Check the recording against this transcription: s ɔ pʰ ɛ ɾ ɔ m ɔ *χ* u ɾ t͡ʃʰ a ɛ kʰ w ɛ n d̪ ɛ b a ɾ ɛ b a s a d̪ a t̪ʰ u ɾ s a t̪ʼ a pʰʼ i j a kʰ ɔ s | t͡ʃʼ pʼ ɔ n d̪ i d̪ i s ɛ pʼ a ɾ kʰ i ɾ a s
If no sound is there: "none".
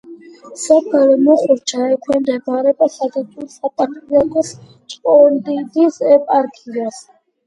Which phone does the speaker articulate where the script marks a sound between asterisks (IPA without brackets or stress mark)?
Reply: χ